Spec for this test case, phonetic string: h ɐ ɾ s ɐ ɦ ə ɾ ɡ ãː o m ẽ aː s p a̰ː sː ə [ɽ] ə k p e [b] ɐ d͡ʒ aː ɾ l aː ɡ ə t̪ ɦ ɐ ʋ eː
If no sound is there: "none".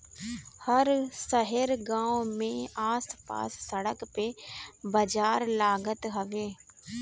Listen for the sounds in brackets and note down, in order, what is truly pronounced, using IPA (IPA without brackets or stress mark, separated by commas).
ɽ, b